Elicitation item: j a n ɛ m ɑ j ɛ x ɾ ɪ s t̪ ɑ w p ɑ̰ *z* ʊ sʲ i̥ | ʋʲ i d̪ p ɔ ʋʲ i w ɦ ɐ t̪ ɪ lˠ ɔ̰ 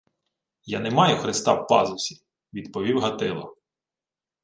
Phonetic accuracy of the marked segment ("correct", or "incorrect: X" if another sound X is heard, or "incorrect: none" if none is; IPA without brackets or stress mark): correct